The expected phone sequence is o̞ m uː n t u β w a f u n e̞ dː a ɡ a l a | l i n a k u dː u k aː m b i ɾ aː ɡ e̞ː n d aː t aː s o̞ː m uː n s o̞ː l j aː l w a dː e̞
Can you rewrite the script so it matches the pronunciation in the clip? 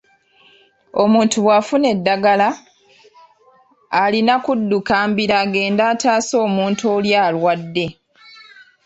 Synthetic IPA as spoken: o̞ m uː n t u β w a f u n e̞ dː a ɡ a l a | l i n a k u dː u k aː m b i ɾ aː ɡ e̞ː n d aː t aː s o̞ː m uː n t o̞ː l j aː l w a dː e̞